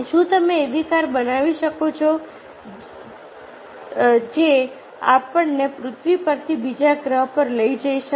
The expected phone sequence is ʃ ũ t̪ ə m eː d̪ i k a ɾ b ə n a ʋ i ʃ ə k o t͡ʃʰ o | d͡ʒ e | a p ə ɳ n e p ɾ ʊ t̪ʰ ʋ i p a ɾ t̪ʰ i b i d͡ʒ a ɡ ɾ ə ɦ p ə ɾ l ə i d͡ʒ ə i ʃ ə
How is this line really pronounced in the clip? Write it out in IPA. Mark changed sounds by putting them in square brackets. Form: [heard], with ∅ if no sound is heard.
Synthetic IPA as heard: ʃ ũ t̪ ə m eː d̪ i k a ɾ b ə n a ʋ i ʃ ə k o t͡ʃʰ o | d͡ʒ e | a p ə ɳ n e p ɾ ʊ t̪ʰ ʋ i p [ə] ɾ t̪ʰ i b i d͡ʒ a ɡ ɾ ə ɦ p ə ɾ l ə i d͡ʒ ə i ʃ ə